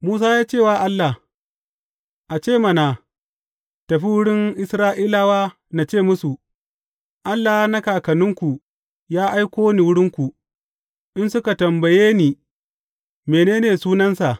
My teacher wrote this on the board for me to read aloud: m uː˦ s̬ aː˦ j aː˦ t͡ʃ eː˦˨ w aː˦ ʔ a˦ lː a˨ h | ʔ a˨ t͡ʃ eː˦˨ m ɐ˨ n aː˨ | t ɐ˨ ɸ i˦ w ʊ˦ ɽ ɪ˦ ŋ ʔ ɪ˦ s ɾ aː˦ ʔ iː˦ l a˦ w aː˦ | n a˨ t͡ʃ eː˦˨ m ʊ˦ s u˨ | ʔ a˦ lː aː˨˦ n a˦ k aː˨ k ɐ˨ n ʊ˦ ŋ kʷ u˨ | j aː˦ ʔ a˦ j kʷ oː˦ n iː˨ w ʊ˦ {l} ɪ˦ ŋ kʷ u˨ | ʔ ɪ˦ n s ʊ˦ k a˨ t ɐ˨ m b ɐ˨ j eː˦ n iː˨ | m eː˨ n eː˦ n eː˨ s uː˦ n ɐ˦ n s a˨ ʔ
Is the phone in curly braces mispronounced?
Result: yes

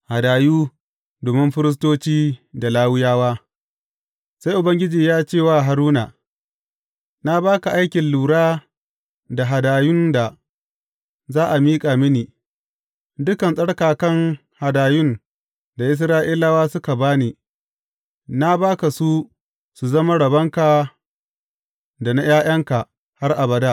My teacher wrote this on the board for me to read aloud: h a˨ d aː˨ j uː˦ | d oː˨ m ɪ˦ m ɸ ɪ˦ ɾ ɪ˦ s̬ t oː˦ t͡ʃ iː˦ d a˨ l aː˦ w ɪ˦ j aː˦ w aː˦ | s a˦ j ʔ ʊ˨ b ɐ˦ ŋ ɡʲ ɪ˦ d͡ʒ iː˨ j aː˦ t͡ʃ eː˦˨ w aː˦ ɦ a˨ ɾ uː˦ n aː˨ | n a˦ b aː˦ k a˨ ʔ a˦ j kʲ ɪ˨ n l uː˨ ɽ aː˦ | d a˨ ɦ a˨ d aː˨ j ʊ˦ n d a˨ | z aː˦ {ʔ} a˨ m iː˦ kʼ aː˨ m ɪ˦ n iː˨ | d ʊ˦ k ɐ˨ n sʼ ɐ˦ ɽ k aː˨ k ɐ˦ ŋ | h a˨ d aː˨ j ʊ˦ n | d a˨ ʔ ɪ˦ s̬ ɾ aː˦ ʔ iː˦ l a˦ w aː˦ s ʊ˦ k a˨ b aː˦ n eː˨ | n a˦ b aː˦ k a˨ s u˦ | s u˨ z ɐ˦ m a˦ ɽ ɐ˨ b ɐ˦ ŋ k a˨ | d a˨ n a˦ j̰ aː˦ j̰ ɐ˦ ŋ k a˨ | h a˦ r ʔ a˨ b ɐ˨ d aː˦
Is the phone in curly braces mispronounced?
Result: no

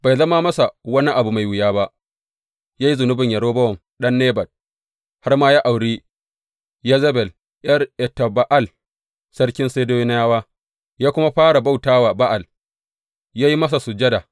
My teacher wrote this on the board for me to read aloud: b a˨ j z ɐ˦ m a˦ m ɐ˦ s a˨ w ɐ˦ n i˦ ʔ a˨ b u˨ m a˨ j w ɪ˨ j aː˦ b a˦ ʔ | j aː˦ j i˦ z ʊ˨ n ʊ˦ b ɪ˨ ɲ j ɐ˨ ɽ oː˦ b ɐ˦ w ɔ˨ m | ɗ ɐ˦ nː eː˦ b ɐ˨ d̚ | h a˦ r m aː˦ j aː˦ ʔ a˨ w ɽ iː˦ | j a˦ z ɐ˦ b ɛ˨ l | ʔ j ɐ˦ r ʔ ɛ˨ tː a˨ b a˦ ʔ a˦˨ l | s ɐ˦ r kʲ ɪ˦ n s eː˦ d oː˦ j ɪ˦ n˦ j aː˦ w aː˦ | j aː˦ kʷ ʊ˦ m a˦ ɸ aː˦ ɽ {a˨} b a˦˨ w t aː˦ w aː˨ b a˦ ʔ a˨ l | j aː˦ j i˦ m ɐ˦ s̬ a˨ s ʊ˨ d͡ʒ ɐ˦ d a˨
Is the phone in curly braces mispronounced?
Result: no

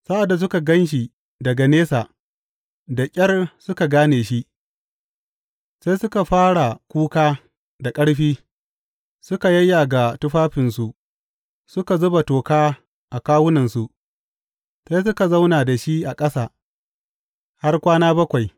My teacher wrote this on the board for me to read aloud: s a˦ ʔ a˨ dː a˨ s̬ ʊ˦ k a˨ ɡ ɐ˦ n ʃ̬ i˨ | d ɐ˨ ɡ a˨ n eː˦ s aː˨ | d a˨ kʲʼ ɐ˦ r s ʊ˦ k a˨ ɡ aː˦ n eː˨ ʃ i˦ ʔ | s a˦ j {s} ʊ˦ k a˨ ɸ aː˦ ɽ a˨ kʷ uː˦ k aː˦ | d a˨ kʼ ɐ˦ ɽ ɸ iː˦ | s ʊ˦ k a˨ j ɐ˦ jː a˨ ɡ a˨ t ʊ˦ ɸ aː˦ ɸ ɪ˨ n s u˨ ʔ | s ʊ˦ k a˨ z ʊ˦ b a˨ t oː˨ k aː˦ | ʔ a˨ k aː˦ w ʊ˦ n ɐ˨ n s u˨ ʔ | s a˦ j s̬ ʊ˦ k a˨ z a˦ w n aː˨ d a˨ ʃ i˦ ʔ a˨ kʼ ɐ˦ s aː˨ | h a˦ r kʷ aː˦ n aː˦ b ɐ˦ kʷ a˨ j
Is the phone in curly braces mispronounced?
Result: no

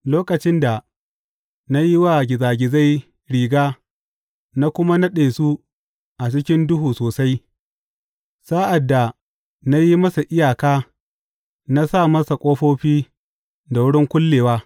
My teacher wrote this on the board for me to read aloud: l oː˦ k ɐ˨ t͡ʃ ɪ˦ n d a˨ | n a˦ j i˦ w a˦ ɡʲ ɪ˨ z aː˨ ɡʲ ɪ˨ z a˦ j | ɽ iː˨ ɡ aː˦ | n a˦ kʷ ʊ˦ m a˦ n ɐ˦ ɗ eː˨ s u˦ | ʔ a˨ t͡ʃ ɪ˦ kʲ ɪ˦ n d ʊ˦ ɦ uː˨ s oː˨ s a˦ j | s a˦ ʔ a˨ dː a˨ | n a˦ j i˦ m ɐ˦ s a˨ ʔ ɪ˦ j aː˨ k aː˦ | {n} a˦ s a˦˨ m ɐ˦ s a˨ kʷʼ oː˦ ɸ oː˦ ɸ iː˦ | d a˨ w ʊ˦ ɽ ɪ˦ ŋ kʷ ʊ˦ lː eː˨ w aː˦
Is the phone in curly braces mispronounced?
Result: no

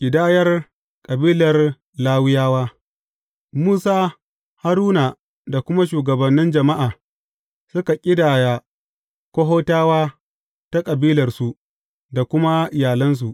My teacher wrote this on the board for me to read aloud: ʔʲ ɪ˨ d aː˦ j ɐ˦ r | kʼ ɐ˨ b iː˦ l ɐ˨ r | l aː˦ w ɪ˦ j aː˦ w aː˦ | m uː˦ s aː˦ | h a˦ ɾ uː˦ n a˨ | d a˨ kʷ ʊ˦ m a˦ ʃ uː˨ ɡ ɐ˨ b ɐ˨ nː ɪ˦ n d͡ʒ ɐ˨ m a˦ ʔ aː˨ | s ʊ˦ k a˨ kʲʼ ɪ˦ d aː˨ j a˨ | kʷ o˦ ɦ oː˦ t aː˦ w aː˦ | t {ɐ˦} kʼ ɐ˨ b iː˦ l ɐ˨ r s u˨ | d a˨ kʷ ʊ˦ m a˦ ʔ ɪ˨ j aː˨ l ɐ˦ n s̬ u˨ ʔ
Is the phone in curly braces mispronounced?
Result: yes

